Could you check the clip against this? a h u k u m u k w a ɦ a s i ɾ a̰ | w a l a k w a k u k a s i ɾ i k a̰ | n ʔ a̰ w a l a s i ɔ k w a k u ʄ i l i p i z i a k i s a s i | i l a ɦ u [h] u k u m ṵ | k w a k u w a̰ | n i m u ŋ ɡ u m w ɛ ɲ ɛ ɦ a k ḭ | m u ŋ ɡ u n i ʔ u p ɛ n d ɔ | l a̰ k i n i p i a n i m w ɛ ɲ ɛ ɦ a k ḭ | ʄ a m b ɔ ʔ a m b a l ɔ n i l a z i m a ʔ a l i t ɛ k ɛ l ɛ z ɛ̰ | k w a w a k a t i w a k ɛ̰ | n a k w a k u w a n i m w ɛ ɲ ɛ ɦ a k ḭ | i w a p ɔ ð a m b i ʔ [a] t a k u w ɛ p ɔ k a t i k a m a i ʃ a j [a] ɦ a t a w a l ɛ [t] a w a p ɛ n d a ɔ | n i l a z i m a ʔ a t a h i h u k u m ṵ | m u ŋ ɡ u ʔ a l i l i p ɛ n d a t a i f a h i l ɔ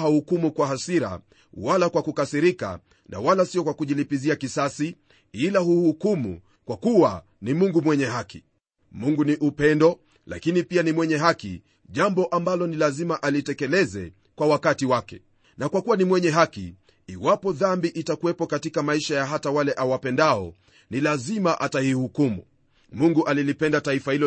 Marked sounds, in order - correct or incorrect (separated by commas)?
correct, incorrect, correct, incorrect